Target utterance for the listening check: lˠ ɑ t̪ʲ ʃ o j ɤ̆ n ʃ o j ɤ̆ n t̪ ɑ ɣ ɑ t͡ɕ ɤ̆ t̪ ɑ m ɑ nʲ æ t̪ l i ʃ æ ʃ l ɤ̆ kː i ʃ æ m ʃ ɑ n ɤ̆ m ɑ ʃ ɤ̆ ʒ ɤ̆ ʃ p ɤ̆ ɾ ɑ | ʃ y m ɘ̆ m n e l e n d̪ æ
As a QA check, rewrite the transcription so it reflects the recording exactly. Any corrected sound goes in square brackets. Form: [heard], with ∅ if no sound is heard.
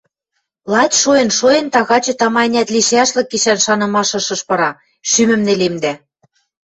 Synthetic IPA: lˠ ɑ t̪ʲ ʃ o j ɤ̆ n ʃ o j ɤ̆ n t̪ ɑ ɣ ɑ t͡ɕ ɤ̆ t̪ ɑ m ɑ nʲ æ t̪ l i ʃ æ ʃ l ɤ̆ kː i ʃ æ [n] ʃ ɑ n ɤ̆ m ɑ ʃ ɤ̆ [ʃ] ɤ̆ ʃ p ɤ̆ ɾ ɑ | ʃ y m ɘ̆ m n e l e [m] d̪ æ